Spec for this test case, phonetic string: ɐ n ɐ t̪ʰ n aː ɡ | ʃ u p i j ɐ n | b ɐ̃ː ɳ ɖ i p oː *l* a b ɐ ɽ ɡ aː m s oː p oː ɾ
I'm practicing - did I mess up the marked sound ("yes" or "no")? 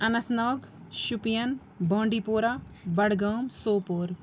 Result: yes